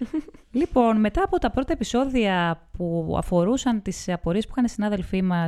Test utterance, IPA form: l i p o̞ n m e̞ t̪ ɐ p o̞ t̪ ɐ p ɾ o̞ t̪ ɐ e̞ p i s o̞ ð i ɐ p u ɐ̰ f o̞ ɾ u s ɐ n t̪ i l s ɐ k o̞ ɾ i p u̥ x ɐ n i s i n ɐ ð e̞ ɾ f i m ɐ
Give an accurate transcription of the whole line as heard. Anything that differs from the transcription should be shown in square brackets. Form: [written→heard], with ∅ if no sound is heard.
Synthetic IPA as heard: l i p o̞ n m e̞ t̪ [ɐ→ɐː] p o̞ t̪ ɐ p ɾ o̞ t̪ ɐ e̞ p i s o̞ ð i ɐ p u ɐ̰ f o̞ ɾ u s ɐ n t̪ i [l→∅] s ɐ [k→p] o̞ ɾ i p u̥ x ɐ n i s i n ɐ ð e̞ [ɾ→l] f i m ɐ